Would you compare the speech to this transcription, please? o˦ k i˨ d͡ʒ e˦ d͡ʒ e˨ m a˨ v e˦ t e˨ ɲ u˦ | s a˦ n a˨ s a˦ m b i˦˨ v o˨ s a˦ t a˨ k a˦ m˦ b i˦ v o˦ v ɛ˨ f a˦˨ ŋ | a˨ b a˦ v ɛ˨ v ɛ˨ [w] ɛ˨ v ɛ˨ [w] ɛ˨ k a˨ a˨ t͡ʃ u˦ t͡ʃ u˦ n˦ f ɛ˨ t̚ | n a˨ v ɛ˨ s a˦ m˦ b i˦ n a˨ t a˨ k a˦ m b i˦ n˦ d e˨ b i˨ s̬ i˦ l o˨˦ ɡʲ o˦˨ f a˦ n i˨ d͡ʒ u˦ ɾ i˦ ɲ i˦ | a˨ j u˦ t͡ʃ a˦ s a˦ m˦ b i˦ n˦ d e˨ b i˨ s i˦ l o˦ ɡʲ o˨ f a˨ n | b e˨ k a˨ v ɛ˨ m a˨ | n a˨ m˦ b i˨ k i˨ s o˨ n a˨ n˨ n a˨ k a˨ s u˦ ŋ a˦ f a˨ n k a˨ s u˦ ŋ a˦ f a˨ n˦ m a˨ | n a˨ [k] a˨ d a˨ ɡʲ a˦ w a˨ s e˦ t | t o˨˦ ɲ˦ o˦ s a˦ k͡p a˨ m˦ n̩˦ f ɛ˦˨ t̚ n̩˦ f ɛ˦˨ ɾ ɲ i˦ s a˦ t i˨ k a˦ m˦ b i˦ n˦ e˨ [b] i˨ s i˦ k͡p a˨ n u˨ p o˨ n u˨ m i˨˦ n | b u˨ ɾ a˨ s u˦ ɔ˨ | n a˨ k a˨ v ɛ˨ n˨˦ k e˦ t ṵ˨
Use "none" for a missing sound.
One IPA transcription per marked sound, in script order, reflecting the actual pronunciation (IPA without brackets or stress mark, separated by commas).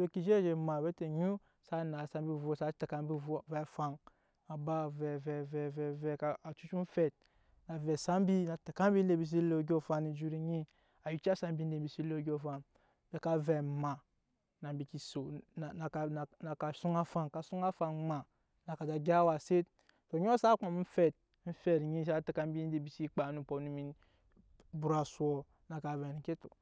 v, v, k, b